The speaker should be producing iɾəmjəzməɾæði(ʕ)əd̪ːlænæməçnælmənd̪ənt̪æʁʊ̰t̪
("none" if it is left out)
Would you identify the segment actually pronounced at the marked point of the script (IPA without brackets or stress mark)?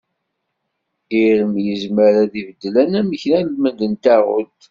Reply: v